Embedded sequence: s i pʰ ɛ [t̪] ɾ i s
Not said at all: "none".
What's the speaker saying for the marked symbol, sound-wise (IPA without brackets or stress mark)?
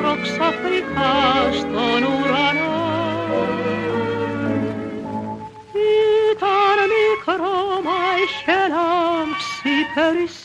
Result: none